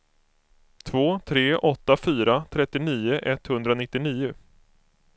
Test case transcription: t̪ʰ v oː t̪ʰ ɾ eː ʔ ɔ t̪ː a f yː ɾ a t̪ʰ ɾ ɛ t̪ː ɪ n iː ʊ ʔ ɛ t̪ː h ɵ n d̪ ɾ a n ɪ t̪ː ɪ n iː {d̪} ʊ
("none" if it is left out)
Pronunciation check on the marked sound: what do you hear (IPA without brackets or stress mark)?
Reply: none